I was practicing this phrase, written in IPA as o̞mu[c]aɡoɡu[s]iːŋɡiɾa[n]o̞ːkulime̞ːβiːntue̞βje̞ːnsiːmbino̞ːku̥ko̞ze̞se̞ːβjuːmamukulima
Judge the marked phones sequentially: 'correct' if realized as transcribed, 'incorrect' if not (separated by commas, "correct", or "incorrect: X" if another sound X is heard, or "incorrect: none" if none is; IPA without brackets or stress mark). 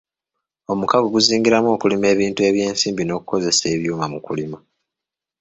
incorrect: k, incorrect: z, incorrect: m